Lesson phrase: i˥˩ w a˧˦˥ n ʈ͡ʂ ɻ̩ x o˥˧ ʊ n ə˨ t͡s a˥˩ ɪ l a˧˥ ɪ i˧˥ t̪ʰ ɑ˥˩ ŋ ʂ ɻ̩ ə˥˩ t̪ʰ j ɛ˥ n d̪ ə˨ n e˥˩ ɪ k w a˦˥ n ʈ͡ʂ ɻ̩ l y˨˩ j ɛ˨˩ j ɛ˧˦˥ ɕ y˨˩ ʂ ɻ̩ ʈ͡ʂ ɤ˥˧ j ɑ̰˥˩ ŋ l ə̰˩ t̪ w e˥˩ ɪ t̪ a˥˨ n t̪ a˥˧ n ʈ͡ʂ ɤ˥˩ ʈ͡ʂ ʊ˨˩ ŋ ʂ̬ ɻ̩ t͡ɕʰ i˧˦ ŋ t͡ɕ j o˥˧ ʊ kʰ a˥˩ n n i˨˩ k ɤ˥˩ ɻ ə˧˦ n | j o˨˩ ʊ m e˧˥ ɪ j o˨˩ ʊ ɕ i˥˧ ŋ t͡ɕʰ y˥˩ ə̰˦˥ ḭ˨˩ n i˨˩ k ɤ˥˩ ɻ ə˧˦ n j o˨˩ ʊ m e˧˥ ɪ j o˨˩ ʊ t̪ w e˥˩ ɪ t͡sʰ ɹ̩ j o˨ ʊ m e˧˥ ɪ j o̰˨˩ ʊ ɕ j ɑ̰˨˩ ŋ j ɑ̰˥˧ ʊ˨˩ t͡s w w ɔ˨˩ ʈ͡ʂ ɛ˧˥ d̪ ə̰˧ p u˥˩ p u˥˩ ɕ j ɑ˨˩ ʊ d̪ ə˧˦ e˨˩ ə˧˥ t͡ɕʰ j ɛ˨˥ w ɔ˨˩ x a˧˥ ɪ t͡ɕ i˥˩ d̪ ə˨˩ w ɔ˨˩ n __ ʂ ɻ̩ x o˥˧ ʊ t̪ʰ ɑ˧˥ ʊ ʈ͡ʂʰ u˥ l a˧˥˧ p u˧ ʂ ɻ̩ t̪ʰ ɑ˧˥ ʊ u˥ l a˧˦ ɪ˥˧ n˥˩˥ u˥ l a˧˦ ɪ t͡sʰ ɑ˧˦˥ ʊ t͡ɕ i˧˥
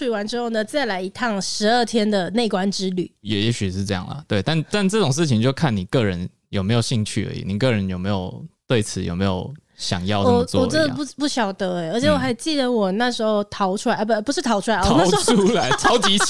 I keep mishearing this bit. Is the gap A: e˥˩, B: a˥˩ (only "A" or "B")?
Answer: B